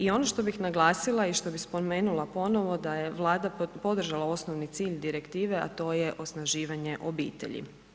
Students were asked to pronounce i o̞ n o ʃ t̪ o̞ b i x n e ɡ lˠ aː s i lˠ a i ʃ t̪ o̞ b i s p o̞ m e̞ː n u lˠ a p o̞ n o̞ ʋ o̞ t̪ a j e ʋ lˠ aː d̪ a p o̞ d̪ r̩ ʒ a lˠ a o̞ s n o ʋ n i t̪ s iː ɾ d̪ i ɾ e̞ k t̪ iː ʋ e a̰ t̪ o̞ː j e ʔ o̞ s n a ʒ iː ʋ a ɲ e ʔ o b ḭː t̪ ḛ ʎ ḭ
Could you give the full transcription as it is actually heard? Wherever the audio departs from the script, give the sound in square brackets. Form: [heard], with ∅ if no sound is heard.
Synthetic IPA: i o̞ n o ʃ t̪ o̞ b i x n [a] ɡ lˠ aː s i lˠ a i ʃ t̪ o̞ b i s p o̞ m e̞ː n u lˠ a p o̞ n o̞ ʋ o̞ [d̪] a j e ʋ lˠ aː d̪ a p o̞ d̪ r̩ ʒ a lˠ a o̞ s n o ʋ n i t̪ s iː [ʎ] d̪ i ɾ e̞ k t̪ iː ʋ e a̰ t̪ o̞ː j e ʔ o̞ s n a ʒ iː ʋ a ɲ e ʔ o b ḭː t̪ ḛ ʎ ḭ